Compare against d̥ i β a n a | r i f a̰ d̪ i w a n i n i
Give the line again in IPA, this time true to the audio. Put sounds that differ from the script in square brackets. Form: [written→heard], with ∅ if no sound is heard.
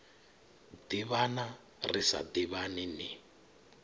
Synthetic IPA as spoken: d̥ i β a n a | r i [f→s] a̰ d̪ i [w→β] a n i n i